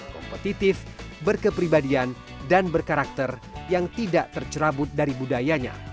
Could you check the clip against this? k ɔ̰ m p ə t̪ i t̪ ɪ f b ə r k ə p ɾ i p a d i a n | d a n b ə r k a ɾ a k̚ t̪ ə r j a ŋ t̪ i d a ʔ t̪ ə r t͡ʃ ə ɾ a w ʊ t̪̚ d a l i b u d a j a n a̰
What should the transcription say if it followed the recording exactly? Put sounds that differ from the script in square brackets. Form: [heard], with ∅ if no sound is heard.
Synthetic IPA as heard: k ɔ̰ m p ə t̪ i t̪ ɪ f b ə r k ə p ɾ i [b] a d i a n | d a n b ə r k a ɾ a k̚ t̪ ə r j a ŋ t̪ i d a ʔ t̪ ə r t͡ʃ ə ɾ a [b] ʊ t̪̚ d a [ɾ] i b u d a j a [ɲ] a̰